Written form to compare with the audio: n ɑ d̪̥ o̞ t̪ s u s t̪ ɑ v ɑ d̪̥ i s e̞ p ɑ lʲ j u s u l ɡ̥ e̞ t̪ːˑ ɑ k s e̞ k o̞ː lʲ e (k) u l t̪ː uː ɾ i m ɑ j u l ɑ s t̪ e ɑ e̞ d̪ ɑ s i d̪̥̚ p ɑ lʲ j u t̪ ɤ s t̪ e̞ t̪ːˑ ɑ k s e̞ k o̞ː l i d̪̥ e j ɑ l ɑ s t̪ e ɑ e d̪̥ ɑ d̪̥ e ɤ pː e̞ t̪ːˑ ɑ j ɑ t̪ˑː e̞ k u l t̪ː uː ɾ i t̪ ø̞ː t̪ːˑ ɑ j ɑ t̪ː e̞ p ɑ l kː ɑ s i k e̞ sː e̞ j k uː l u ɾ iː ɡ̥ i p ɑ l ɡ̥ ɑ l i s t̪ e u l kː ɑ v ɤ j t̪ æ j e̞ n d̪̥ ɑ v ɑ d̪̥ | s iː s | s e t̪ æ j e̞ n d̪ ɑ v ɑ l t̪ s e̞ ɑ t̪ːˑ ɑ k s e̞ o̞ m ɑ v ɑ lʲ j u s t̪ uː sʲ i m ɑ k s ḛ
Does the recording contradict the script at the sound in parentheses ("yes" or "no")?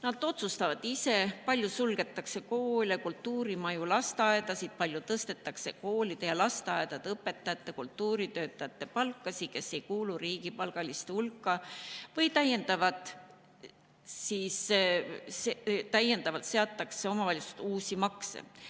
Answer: no